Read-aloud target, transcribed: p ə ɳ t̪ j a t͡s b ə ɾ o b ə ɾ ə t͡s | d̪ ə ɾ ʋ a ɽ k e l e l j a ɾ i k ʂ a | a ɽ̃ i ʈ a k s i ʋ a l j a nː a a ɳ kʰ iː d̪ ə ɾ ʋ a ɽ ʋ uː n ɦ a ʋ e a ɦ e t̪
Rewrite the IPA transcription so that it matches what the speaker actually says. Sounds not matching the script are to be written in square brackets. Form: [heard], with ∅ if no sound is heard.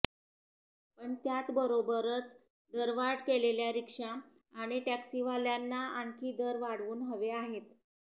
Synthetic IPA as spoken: p ə ɳ t̪ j a t͡s b ə ɾ o b ə ɾ ə t͡s | d̪ ə ɾ ʋ a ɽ k e l e l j a ɾ i k ʂ a | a ɽ̃ i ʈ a k s i ʋ a l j a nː a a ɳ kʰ iː d̪ ə ɾ ʋ a ɽ ʋ uː n ɦ [ə] ʋ e a ɦ e t̪

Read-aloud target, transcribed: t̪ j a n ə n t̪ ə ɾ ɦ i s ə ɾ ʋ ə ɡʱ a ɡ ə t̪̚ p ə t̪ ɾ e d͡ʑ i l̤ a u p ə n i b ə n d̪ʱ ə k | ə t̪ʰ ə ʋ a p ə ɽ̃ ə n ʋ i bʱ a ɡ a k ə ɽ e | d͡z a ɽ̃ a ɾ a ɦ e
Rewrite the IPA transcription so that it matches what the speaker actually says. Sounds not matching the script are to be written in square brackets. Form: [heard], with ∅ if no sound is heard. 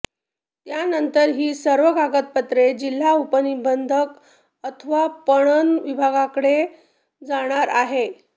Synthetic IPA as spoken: t̪ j a n ə n t̪ ə ɾ ɦ [iː] s ə ɾ ʋ ə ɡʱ a ɡ ə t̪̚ p ə t̪ ɾ e d͡ʑ i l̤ a u p ə n i b ə n d̪ʱ ə k | ə t̪ʰ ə ʋ a p ə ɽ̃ ə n ʋ i bʱ a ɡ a k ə ɽ e | d͡z a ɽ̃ a ɾ a ɦ e

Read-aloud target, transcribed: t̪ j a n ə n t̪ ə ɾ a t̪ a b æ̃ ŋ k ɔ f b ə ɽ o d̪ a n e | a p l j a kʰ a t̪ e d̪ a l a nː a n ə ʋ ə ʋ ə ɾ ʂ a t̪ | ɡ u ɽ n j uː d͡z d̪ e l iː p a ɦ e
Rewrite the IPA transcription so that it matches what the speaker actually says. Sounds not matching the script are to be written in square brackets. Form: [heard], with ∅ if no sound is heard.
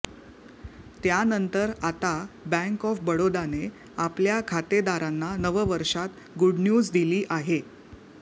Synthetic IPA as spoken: t̪ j a n ə n t̪ ə ɾ a t̪ a b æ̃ ŋ k ɔ f b ə ɽ o d̪ a n e | a p l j a kʰ a t̪ e d̪ a [ɾ] a nː a n ə ʋ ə ʋ ə ɾ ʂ a t̪ | ɡ u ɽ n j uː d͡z d̪ [i] l iː [ʔ] a ɦ e

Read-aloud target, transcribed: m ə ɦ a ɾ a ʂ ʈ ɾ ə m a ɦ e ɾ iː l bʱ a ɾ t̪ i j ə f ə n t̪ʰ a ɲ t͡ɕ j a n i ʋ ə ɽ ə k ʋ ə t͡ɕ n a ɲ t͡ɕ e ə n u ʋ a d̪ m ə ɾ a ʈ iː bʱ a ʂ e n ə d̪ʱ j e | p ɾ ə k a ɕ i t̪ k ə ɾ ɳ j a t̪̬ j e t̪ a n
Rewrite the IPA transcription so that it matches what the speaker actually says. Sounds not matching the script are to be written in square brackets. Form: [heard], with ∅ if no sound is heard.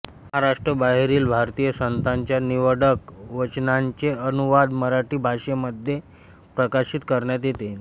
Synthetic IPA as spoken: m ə ɦ a ɾ a ʂ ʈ ɾ ə [b] a ɦ e ɾ iː l bʱ a ɾ t̪ i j ə [s] ə n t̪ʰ a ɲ t͡ɕ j a n i ʋ ə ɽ ə k ʋ ə t͡ɕ n a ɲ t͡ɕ e ə n u ʋ a d̪ m ə ɾ a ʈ iː bʱ a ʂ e [m] ə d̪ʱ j e | p ɾ ə k a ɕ i t̪ k ə ɾ ɳ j a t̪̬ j e t̪ [e] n

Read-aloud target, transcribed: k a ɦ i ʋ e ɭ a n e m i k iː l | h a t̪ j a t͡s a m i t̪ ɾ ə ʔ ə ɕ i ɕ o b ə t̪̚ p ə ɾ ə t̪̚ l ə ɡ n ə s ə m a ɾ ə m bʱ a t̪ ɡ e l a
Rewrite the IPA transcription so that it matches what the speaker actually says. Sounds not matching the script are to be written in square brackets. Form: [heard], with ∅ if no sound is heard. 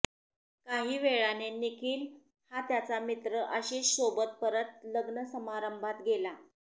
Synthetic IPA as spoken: k a ɦ [iː] ʋ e ɭ a n e [n] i k iː l | h a t̪ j a t͡s a m i t̪ ɾ ə ʔ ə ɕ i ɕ o b ə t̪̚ p ə ɾ ə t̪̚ l ə ɡ n ə s ə m a ɾ ə m bʱ a t̪ ɡ e l a

